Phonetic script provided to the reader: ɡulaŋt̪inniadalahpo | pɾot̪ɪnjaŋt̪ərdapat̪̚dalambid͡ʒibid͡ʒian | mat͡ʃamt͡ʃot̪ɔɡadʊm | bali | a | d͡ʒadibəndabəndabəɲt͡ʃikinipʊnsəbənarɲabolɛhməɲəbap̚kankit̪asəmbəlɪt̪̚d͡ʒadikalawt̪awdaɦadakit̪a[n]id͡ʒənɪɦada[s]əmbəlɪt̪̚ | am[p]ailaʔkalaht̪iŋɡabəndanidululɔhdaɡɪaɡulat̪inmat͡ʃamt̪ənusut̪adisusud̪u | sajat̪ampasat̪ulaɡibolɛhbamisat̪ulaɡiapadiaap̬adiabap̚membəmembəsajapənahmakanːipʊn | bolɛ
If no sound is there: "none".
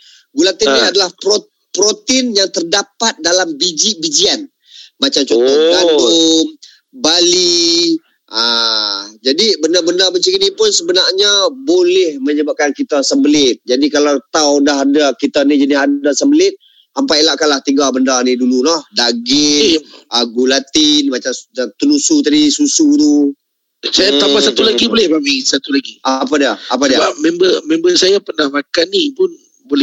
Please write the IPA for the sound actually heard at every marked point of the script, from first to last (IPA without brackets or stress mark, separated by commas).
n, s, p